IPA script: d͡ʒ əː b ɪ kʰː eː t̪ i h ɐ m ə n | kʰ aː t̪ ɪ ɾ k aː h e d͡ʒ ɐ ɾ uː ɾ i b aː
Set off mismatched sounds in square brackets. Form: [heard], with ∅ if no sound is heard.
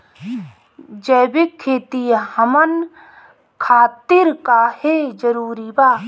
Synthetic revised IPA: d͡ʒ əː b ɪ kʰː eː t̪ i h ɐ m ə n | kʰ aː t̪ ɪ ɾ k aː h e d͡ʒ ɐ ɾ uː ɾ i b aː